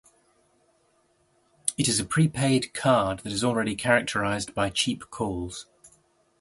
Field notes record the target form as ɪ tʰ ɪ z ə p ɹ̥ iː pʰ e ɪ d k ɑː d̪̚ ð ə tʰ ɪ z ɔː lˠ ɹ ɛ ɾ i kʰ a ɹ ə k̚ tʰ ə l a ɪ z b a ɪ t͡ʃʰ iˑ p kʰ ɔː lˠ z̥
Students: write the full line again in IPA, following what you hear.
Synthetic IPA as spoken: ɪ t ɪ z ə pʰ ɹ̥ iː pʰ e ɪ d kʰ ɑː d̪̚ ð ə t ɪ z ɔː lˠ ɹ ɛ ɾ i kʰ a ɹ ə k̚ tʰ ə ɹ a ɪ z b a ɪ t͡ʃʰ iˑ p kʰ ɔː lˠ z̥